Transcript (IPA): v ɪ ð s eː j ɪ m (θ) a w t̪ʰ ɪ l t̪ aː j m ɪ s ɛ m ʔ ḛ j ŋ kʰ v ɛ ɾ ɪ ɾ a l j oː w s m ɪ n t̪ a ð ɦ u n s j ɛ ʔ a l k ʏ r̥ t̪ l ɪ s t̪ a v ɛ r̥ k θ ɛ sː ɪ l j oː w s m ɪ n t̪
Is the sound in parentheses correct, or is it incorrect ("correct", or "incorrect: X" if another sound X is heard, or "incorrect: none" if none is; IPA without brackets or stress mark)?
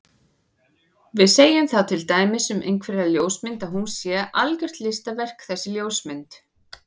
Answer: correct